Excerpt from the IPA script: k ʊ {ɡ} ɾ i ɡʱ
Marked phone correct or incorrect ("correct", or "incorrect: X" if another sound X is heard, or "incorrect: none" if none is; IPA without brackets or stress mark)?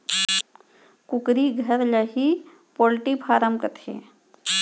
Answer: incorrect: k